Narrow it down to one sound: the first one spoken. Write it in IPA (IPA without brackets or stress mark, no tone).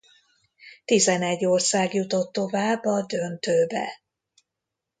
t̪